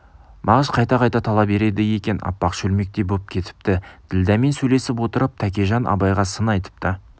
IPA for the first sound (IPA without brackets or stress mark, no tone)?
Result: m